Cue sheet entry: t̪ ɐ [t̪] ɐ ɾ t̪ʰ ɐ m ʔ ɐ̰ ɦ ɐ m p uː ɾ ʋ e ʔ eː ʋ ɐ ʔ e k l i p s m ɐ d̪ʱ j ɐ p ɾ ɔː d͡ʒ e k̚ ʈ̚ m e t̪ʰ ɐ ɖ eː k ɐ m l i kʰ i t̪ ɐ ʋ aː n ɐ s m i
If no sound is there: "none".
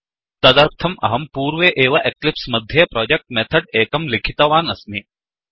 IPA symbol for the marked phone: d̪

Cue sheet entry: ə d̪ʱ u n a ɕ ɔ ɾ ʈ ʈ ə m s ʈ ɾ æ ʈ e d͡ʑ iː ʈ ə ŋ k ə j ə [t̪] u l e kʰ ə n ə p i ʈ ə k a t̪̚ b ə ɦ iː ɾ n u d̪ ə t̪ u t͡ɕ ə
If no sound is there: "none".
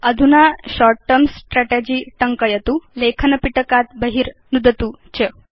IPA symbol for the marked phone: t̪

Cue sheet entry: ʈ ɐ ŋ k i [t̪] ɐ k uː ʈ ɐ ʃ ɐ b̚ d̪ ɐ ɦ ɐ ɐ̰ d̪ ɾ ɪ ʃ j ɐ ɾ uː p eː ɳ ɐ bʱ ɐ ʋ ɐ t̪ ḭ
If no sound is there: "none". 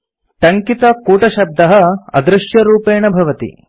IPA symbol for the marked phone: t̪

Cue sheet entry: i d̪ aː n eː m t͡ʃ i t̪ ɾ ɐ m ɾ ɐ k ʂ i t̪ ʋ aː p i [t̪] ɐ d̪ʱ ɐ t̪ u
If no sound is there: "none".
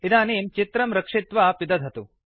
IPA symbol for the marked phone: d̪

